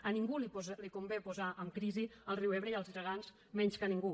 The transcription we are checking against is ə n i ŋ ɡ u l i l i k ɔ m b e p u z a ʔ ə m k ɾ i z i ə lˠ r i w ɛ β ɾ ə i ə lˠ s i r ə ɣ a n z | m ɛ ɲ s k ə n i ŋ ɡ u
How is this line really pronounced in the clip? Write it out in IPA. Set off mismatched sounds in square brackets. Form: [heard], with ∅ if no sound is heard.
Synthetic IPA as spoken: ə n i ŋ ɡ u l i l i k [u] m b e p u z a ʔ ə m k ɾ i z i ə lˠ r i w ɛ β ɾ ə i ə lˠ [z] i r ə ɣ a n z | m ɛ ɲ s k ə n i ŋ ɡ u